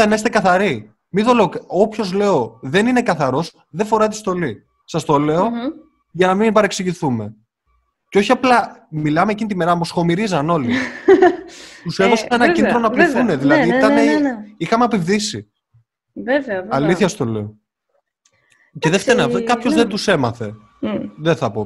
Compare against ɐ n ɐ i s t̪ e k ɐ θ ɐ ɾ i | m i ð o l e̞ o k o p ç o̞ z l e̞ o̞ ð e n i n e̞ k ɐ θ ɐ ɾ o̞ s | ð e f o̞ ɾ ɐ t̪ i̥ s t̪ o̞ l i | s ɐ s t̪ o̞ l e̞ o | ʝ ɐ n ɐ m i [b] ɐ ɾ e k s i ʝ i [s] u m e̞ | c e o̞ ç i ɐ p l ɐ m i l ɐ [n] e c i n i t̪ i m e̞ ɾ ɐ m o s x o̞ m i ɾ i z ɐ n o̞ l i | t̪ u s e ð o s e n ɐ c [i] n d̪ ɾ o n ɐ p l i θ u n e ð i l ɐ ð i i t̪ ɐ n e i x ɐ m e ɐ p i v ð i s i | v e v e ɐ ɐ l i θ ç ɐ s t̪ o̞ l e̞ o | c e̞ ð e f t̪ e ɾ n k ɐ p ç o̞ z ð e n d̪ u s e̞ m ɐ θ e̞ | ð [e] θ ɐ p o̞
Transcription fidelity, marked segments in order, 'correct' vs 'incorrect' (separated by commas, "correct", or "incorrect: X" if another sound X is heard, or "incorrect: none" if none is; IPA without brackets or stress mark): correct, incorrect: θ, incorrect: m, correct, correct